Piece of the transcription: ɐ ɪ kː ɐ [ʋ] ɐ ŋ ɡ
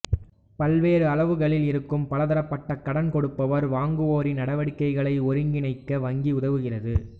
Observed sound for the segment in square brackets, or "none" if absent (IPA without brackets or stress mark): ʋ